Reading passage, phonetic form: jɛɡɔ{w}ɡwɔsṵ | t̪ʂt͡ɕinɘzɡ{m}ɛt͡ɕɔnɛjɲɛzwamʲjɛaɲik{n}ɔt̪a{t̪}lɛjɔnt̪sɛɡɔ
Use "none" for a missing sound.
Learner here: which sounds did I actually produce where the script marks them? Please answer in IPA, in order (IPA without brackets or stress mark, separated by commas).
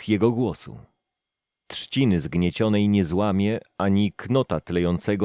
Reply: none, ɲ, n, t̪